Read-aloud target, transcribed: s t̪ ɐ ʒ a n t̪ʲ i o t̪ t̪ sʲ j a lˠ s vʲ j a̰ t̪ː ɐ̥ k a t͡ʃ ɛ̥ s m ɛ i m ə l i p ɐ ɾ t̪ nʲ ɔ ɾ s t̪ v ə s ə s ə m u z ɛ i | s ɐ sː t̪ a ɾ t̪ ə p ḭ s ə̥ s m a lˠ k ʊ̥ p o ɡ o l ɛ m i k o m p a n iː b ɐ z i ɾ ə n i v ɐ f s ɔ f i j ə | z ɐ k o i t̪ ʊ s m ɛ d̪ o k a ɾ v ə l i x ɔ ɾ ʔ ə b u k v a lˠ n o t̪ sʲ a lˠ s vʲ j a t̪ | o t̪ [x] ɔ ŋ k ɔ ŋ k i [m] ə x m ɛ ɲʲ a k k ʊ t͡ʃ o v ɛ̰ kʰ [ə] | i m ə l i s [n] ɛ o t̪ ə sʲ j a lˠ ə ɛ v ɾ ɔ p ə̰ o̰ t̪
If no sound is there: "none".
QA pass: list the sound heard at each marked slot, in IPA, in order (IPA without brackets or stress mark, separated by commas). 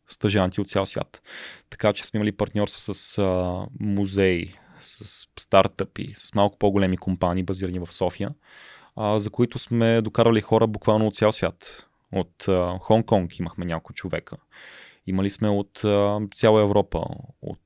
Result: x, m, ə, m